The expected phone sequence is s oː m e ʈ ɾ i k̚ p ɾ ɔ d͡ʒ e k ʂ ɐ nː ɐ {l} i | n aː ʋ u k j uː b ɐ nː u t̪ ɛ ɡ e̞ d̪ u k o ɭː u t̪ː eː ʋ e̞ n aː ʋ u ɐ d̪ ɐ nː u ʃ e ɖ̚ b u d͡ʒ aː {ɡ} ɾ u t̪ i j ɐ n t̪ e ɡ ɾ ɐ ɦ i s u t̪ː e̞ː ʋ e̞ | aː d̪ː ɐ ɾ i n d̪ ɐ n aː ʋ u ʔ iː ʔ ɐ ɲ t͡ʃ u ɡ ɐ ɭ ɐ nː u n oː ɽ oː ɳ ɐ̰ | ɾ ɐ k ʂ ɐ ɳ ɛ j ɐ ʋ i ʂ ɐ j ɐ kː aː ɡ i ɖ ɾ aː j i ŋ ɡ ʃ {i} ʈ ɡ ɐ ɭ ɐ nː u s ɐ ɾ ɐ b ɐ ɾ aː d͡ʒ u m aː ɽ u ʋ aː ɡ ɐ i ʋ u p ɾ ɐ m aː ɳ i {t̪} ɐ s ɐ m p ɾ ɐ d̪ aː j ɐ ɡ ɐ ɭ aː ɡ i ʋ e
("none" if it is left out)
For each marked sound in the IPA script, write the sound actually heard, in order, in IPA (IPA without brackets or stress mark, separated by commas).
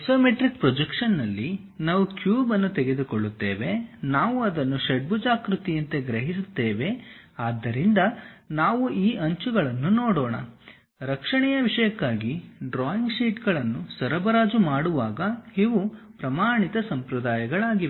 lː, k, iː, t̪